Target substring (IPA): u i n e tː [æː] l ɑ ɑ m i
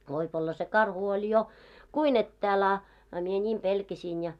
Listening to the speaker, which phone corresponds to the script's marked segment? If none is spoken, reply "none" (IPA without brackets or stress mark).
æː